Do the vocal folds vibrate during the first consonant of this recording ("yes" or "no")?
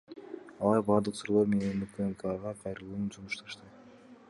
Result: yes